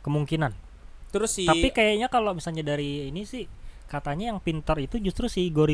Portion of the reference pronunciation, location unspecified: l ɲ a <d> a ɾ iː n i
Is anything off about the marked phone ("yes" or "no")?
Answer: no